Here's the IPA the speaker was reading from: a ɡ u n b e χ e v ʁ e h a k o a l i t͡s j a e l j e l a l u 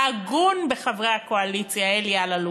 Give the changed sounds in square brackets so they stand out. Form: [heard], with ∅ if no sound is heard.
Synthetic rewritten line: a ɡ u n b e χ [a] v ʁ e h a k o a l i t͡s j a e l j [a] l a l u